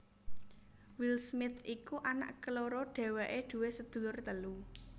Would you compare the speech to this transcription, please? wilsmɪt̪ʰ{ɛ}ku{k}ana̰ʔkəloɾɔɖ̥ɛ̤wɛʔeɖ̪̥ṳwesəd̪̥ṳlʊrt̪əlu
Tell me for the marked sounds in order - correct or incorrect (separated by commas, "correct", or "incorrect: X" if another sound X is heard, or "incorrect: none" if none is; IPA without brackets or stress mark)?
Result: incorrect: i, incorrect: ʔ